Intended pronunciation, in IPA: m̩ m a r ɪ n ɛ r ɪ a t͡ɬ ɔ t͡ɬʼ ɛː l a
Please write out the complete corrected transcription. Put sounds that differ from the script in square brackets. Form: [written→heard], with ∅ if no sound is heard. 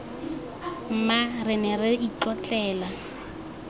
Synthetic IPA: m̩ m a r ɪ n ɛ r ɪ [a→i] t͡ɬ ɔ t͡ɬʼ ɛː l a